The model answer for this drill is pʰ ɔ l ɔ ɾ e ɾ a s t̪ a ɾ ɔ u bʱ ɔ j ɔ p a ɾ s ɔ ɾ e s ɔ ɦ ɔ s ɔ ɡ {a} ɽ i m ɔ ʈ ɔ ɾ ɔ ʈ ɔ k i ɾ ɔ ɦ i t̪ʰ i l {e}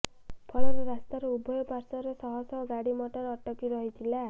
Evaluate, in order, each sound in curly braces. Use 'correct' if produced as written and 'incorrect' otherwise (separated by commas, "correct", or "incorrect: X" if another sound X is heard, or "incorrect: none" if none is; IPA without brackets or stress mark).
correct, incorrect: a